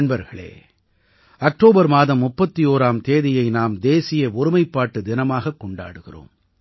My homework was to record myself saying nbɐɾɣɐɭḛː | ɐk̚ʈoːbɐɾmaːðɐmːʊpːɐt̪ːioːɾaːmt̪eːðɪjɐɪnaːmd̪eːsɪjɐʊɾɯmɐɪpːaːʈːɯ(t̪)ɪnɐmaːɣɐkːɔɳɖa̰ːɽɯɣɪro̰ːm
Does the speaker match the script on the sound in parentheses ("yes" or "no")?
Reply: no